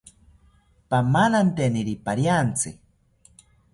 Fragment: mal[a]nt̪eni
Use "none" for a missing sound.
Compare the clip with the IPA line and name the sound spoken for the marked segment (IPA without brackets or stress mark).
a